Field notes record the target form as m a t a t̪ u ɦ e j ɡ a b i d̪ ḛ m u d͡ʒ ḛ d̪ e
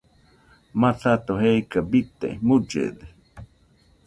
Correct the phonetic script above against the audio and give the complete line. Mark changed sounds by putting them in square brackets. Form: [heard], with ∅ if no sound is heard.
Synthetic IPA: m a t a t̪ [o] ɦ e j [k] a b i [t̪] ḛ m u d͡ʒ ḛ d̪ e